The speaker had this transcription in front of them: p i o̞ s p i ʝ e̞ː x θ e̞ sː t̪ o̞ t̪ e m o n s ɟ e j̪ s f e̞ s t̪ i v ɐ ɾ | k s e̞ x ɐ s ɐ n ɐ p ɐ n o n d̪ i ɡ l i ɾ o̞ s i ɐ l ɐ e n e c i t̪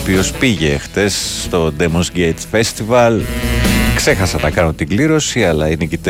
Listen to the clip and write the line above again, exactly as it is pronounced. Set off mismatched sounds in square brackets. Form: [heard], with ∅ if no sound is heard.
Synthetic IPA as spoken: p i o̞ s p i ʝ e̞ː x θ e̞ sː t̪ o̞ [d̪] e m o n s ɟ e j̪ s f e̞ s t̪ i v ɐ [l] | k s e̞ x ɐ s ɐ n ɐ [k] ɐ n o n [t̪] i ɡ l i ɾ o̞ s i ɐ l ɐ [i] n e c i t̪